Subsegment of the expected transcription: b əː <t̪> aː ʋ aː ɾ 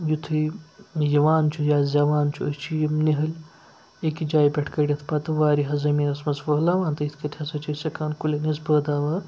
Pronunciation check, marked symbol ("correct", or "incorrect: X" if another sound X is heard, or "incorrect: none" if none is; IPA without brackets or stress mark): incorrect: d̪